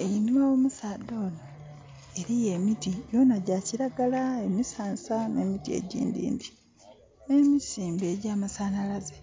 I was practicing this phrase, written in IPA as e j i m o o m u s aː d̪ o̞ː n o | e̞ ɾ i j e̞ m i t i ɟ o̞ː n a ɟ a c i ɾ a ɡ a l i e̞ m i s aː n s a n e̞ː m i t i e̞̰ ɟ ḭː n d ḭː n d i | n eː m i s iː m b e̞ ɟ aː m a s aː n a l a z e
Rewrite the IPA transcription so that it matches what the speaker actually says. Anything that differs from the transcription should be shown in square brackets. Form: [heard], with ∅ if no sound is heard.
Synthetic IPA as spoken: e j i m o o m u s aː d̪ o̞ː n o | e̞ ɾ i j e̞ m i t i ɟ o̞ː n a ɟ a c i ɾ a ɡ a l [a] e̞ m i s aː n s a n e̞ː m i t i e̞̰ ɟ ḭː n d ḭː n d i | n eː m i s iː m b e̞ ɟ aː m a s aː n a l a z e